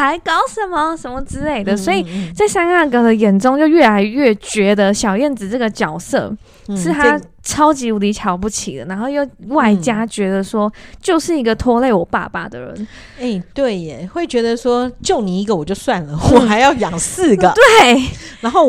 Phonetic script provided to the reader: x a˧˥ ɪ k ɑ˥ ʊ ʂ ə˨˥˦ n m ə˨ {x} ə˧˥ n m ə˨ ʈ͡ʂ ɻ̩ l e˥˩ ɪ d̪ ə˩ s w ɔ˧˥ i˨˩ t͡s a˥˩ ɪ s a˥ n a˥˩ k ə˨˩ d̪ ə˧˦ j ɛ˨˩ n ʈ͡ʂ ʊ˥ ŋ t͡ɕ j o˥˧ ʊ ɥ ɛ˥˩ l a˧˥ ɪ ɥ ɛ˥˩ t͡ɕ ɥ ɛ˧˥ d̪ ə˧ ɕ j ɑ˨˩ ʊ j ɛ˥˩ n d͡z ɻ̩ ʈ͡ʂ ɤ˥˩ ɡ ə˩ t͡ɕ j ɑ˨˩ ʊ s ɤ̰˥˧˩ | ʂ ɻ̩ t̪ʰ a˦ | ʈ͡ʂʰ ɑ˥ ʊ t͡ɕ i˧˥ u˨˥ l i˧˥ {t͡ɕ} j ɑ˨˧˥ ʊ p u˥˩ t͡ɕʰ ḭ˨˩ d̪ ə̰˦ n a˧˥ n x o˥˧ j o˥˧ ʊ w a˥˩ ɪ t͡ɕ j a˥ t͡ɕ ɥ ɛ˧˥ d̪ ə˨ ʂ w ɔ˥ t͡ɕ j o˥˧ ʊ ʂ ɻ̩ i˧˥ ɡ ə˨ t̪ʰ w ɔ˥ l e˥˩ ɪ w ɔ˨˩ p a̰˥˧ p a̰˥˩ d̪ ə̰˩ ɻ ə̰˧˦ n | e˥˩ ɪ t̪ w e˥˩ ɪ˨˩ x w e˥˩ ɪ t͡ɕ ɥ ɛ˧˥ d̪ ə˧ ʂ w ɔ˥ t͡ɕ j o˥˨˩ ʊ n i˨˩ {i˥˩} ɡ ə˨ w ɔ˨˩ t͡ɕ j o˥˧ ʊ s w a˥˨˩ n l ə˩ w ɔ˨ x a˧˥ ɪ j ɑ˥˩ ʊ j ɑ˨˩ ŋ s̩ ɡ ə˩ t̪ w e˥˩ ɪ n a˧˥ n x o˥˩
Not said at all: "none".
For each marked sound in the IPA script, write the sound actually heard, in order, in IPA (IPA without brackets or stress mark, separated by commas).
ʂ, t͡ɕʰ, i˧˥